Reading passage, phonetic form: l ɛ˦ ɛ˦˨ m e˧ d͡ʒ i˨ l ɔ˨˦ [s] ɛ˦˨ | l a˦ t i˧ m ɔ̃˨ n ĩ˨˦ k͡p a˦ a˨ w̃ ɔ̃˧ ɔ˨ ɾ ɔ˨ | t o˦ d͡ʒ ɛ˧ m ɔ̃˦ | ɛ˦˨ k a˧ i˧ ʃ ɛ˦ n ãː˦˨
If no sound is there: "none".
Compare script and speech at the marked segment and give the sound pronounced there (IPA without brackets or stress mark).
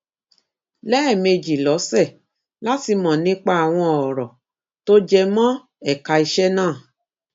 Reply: s